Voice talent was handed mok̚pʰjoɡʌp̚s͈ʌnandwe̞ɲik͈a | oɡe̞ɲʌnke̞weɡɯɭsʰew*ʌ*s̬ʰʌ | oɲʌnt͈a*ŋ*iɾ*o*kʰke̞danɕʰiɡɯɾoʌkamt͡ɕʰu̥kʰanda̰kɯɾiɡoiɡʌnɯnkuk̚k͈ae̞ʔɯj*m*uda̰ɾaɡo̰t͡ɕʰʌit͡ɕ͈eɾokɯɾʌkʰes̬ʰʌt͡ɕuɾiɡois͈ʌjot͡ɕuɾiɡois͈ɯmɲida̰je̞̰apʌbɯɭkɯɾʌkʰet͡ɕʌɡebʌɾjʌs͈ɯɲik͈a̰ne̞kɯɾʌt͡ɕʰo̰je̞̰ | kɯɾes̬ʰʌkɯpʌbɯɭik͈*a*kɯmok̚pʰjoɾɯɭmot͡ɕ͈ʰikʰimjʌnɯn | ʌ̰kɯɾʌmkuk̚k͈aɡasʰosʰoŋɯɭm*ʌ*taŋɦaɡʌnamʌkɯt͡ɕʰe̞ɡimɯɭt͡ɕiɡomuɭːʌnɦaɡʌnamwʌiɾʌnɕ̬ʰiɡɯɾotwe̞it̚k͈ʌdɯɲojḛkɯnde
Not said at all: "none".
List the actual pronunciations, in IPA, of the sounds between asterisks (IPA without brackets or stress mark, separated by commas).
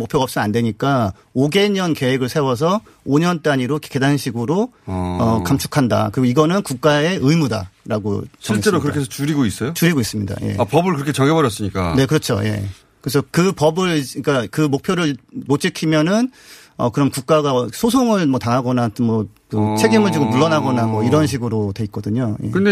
ʌ, ɲ, o, m, a, ʌ